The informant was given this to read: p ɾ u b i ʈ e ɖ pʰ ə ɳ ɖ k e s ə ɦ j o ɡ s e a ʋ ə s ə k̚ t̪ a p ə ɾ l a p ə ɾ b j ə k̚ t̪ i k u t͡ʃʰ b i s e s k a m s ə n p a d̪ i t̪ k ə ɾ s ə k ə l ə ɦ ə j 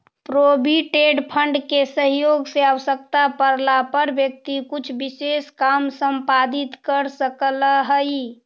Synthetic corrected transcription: p ɾ o b i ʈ e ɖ pʰ ə ɳ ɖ k e s ə ɦ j o ɡ s e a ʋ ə s ə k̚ t̪ a p ə ɾ l a p ə ɾ b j ə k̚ t̪ i k u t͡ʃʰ b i s e s k a m s ə m p a d̪ i t̪ k ə ɾ s ə k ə l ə ɦ ə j